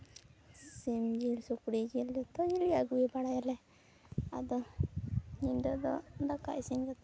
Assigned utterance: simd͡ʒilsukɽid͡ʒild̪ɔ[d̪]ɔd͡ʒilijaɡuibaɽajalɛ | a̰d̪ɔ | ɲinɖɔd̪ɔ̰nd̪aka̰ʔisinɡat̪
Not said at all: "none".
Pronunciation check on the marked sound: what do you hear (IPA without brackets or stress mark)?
t̪